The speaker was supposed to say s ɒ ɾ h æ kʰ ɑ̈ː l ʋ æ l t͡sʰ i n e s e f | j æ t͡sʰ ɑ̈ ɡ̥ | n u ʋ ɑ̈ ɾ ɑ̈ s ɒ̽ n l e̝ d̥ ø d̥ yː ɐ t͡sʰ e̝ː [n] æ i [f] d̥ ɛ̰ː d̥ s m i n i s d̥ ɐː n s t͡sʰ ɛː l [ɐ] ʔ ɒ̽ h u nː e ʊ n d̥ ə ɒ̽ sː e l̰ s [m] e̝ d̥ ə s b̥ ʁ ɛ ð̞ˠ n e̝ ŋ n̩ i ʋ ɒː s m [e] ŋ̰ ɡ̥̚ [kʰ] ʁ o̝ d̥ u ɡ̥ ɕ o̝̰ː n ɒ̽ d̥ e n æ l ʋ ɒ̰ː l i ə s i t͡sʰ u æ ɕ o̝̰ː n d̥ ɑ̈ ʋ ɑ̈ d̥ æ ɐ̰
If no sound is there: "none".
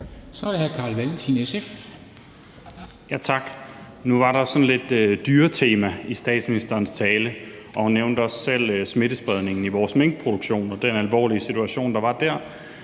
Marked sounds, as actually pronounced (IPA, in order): m, s, ə, m, e, pʰ

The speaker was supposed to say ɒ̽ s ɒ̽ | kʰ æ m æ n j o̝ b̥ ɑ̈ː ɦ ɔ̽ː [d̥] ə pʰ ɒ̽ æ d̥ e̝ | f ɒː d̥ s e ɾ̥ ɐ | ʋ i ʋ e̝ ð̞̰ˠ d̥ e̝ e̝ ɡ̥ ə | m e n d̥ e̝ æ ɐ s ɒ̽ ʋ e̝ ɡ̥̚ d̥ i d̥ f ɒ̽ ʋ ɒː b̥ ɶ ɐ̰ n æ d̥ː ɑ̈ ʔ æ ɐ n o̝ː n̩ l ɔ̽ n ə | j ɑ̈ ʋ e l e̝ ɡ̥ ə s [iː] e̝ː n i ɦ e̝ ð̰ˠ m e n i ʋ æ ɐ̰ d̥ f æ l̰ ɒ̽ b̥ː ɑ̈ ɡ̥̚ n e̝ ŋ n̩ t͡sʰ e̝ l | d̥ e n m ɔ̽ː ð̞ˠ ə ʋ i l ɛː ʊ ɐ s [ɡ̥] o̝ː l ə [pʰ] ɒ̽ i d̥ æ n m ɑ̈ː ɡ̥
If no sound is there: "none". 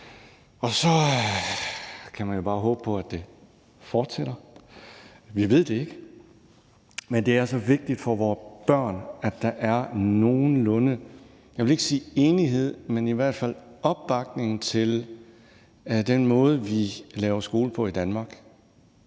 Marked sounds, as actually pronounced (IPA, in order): b̥, iː, ɡ̥, pʰ

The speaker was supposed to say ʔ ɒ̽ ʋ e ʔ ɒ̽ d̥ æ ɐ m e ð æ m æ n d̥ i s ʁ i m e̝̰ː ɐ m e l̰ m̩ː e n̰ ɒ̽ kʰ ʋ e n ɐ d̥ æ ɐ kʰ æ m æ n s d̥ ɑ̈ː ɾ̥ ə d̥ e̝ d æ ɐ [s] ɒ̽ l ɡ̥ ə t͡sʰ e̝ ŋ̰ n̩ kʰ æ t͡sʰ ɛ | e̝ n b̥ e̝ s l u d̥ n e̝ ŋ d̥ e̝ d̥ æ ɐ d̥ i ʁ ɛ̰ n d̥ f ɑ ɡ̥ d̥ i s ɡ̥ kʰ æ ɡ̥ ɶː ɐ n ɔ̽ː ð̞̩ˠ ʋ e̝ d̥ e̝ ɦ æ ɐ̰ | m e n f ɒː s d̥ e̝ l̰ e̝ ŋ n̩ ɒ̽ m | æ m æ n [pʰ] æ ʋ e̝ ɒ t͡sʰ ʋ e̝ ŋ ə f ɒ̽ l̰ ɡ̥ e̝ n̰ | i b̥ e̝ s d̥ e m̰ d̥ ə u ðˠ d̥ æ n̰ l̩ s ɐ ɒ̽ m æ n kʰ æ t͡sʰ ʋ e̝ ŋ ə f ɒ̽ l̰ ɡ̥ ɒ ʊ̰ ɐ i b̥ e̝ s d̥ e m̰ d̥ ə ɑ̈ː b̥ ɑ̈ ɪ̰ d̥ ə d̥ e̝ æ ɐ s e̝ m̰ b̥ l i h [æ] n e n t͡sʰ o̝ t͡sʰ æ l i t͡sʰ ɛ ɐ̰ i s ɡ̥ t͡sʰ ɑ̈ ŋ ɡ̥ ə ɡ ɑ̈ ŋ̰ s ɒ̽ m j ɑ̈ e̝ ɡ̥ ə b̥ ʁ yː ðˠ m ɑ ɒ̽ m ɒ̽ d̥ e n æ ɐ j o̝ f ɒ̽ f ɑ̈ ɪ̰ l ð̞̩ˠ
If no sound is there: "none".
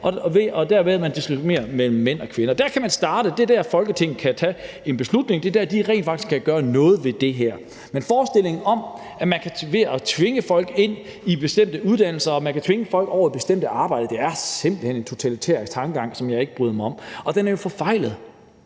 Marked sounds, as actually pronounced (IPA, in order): f, kʰ, e

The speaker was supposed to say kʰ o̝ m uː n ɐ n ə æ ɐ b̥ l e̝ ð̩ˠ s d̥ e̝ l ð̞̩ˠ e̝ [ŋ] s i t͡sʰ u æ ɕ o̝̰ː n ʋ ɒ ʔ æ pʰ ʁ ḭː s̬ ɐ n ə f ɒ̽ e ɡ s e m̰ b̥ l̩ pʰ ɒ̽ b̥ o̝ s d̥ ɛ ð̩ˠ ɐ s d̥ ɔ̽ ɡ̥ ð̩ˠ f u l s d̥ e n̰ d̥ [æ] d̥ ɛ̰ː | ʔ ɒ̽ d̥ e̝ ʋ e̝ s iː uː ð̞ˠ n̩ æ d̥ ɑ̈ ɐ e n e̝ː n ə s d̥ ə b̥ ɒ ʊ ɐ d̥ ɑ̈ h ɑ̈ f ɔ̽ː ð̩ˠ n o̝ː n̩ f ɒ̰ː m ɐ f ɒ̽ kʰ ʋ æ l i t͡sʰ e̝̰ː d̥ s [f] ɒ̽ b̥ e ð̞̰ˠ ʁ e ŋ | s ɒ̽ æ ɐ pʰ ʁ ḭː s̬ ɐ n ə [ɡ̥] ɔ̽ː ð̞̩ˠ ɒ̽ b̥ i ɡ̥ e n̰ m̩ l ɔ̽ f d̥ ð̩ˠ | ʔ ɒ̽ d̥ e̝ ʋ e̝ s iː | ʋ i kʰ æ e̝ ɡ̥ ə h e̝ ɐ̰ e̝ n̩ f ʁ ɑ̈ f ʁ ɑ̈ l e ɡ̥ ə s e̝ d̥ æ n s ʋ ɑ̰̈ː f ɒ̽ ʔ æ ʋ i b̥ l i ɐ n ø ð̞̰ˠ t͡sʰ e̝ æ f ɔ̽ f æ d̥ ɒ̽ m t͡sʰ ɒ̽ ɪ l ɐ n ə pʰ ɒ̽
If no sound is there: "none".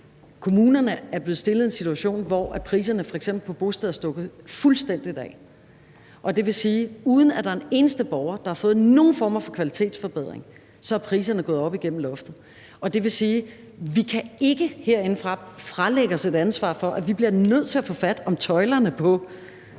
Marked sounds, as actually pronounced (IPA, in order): n, i, f, ɡ̥

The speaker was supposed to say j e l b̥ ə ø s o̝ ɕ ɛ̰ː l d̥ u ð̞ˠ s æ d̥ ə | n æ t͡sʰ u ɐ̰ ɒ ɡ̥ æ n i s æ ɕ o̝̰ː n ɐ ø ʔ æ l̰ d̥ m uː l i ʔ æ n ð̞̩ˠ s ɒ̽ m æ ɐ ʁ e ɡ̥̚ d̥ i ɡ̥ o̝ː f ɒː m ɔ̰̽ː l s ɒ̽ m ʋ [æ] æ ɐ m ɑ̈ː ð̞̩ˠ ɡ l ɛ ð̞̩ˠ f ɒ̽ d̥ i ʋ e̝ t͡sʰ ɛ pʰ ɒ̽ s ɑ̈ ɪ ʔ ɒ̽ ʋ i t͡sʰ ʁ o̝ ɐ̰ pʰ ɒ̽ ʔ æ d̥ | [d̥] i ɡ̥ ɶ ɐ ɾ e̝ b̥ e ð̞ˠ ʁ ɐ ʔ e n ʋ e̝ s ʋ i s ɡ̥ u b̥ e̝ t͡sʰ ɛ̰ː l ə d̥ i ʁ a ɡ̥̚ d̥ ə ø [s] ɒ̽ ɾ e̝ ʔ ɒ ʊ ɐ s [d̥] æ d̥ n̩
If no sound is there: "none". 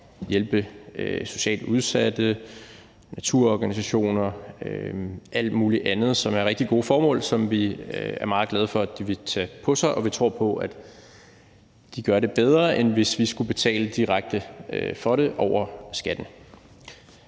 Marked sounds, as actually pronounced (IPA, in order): i, d̥, f, ɡ̥

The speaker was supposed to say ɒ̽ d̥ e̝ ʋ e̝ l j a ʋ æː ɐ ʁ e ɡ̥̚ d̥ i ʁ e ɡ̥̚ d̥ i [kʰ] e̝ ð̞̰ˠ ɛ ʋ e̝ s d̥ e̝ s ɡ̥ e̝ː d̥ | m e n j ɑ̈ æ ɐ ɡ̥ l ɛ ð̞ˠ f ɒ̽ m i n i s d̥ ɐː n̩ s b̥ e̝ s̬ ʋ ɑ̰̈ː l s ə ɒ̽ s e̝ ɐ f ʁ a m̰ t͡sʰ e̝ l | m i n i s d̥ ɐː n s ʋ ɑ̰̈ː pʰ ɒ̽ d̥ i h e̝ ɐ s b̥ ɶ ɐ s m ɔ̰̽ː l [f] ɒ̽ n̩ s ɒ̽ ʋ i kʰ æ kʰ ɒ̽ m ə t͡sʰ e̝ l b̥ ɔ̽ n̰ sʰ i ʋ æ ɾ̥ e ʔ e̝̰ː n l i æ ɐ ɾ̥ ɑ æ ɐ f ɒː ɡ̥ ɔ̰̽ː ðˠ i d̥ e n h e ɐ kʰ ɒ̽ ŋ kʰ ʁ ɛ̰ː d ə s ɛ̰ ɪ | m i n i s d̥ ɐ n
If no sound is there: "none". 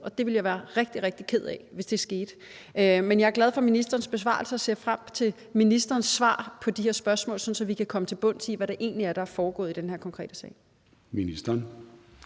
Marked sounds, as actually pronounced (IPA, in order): kʰ, s

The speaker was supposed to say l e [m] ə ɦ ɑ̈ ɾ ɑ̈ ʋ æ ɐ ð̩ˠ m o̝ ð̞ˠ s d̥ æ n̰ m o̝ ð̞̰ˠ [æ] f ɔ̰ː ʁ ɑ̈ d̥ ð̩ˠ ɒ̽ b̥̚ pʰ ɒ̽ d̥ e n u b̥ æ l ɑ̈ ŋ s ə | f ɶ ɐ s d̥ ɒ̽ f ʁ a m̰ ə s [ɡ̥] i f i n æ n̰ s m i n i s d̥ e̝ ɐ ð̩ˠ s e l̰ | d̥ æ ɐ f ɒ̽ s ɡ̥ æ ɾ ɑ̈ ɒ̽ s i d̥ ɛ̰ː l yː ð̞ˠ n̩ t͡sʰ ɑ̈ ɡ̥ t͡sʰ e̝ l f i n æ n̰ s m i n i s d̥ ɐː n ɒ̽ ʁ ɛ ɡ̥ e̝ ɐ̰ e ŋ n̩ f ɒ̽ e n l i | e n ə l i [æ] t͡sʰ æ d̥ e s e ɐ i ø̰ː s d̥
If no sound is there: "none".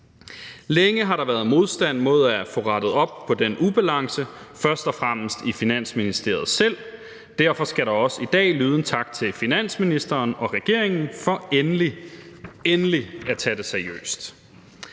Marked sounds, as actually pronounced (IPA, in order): ŋ, æ, d̥, æ

